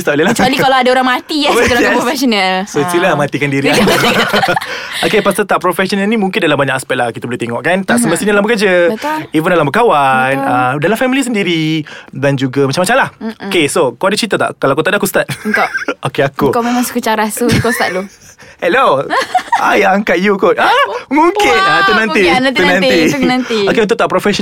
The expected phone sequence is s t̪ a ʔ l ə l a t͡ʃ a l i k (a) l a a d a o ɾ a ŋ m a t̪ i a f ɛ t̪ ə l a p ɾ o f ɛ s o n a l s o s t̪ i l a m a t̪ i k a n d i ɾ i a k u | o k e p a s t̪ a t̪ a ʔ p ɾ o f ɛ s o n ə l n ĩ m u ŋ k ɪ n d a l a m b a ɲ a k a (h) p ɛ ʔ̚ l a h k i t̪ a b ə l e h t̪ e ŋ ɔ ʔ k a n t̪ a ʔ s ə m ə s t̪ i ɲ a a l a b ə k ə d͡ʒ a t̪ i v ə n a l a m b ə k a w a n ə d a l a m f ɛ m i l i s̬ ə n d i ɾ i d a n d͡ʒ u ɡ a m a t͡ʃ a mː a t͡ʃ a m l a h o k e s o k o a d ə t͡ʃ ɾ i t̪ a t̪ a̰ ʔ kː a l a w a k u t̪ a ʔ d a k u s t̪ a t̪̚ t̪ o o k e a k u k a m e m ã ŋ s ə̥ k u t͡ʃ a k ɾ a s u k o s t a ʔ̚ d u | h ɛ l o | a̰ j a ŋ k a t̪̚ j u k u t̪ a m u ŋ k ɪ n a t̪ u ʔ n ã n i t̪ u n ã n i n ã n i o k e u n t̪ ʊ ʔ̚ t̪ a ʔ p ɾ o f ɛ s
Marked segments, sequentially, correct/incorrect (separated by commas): correct, incorrect